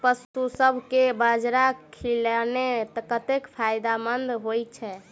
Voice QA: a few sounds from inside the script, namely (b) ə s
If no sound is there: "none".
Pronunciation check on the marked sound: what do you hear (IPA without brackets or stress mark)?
p